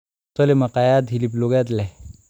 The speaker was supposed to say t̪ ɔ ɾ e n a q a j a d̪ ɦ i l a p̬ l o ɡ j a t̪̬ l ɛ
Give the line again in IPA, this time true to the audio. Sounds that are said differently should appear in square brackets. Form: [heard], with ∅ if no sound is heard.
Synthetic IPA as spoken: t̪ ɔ [l] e [m] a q a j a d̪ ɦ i l [i] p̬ l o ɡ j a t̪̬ l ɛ